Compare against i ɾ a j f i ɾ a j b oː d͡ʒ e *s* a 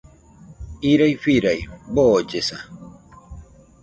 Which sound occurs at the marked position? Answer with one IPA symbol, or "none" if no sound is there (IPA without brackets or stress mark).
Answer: s